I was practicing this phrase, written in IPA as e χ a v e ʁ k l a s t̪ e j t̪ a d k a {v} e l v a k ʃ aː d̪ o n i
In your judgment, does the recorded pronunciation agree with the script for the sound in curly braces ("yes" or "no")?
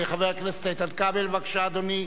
no